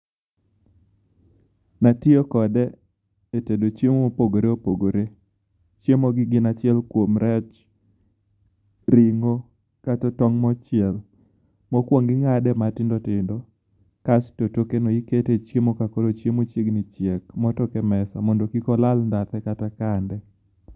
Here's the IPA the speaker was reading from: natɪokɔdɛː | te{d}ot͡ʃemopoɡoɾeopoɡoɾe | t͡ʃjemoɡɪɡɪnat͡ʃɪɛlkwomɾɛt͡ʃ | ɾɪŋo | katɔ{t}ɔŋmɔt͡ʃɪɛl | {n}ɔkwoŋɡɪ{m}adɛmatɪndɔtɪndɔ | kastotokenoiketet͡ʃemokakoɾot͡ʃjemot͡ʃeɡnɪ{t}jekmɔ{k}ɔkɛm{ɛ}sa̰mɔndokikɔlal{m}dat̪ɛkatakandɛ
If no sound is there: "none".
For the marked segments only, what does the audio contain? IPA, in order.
d, t, m, ŋ, t͡ʃ, t, ɛ, n

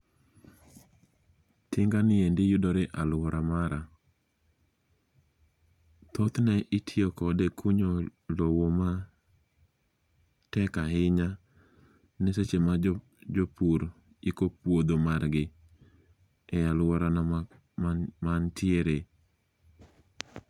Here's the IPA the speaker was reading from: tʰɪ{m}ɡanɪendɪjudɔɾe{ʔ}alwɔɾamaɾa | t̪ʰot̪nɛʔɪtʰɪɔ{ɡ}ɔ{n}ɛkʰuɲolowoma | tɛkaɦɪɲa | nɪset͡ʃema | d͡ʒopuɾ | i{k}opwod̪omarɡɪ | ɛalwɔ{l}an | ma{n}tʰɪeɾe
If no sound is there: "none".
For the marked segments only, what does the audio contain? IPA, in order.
ŋ, ʔ, k, d, k, ɾ, n

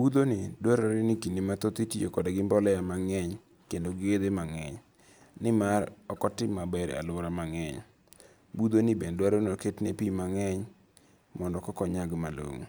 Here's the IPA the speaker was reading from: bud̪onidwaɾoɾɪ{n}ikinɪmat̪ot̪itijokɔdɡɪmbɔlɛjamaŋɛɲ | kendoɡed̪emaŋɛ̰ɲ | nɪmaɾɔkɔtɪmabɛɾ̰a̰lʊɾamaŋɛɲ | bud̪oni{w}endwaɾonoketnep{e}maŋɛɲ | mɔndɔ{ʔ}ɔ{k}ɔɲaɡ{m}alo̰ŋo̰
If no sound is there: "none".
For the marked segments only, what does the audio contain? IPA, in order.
n, b, i, k, k, m

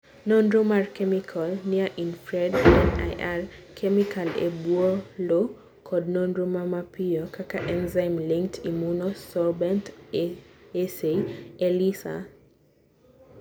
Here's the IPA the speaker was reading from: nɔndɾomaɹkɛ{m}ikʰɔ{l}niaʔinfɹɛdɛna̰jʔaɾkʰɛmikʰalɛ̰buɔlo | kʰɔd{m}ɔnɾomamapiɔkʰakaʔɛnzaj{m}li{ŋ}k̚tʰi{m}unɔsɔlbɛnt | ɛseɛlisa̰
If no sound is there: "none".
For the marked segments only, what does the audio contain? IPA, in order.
m, l, n, m, ŋ, m

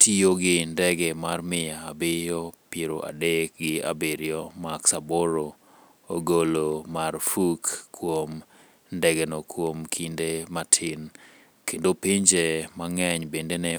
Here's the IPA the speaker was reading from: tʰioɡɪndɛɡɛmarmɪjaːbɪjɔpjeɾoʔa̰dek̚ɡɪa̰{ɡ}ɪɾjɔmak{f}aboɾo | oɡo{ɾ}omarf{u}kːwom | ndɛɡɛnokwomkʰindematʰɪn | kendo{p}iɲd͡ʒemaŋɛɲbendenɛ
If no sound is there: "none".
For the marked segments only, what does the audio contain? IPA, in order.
b, s, l, u, p

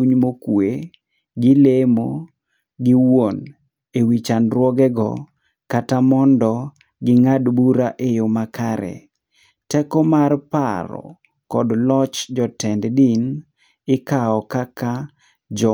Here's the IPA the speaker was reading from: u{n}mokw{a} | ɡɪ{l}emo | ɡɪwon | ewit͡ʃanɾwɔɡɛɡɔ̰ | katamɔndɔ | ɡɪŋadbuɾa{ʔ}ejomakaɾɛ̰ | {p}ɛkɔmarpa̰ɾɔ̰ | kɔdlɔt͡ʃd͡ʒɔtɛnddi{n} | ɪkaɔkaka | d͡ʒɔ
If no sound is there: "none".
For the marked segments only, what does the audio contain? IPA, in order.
ɲ, e, l, ʔ, t, n

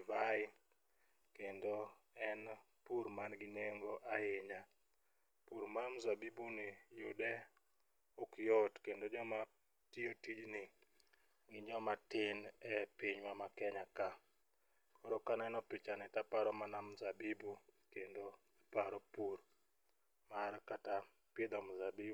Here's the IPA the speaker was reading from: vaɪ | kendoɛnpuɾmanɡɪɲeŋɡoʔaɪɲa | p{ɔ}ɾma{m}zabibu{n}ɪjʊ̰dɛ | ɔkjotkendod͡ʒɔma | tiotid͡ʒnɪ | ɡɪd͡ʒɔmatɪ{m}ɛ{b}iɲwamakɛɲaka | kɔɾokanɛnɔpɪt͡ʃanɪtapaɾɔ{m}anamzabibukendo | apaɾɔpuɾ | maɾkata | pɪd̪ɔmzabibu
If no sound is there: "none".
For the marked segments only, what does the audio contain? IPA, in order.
u, m, n, n, p, m

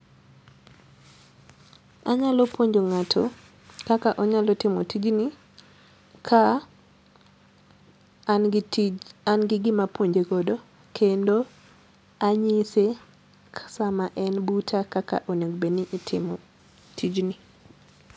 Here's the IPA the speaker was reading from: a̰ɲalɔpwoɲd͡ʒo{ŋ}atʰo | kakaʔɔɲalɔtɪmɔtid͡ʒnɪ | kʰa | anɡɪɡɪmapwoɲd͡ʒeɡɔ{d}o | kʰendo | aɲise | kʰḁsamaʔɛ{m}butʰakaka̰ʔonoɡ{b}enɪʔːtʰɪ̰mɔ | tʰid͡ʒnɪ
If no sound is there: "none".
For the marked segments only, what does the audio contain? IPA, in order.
ŋ, d, n, b

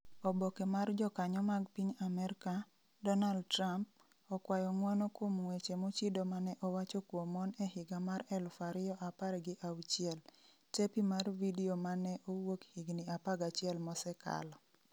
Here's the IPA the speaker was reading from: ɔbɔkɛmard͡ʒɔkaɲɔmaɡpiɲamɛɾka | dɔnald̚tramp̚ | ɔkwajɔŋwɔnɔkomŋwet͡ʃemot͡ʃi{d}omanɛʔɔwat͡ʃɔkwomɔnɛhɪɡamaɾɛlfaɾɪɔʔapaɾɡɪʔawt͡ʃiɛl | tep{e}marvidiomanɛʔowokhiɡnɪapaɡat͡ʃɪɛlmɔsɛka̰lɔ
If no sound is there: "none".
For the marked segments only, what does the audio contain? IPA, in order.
d, i

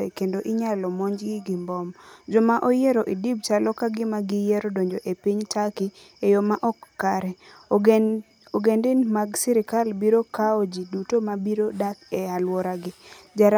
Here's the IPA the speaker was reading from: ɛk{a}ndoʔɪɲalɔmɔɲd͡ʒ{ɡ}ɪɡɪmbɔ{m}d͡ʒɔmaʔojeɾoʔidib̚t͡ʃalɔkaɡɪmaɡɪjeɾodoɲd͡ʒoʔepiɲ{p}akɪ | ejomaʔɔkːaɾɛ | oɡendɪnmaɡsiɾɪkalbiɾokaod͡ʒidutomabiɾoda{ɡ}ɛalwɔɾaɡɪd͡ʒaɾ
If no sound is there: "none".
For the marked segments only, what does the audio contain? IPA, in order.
e, ɡ, m, t, k

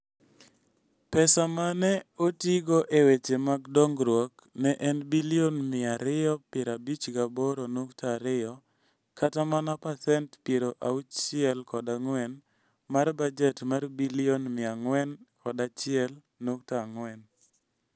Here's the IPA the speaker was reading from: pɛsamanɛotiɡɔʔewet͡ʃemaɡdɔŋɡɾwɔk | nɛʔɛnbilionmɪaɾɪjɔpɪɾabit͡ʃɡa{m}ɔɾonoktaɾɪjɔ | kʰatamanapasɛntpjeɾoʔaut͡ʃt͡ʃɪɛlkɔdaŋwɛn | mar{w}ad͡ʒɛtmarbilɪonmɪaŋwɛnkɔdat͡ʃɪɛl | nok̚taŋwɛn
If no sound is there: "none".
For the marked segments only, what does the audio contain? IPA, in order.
b, b

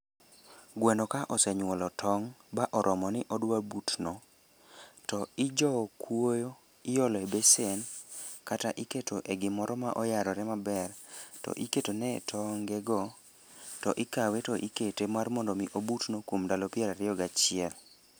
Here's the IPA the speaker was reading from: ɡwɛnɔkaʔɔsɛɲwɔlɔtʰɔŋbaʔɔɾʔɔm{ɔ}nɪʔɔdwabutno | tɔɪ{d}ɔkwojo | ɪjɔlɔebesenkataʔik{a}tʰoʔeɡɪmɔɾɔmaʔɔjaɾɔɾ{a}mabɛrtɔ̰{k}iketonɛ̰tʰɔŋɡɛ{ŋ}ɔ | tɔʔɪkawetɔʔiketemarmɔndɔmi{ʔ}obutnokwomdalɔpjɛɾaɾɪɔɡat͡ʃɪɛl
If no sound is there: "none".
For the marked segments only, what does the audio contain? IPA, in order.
ɔ, d͡ʒ, e, ɛ, ʔ, ɡ, ʔ

